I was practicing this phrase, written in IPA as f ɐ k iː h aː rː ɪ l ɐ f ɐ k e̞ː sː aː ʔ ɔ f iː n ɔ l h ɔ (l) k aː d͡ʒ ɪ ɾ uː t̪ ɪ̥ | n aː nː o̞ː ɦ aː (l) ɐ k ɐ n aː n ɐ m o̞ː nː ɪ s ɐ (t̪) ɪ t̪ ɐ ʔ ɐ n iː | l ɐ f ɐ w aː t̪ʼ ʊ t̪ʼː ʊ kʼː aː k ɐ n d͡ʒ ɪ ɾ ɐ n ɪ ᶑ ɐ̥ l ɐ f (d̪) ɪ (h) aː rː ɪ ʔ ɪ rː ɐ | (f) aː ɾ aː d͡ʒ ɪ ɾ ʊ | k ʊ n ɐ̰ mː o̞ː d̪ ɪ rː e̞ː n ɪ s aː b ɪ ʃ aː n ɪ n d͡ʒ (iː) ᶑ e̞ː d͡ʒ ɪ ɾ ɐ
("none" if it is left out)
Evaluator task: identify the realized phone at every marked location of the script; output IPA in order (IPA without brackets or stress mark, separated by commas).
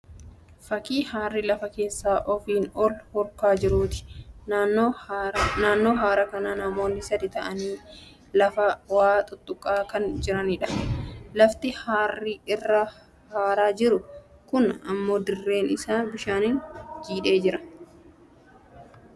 ɾ, ɾ, d̪, t̪, h, h, iː